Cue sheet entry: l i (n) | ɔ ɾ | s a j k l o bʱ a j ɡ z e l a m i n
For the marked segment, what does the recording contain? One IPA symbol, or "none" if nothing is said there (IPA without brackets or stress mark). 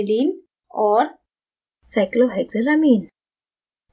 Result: n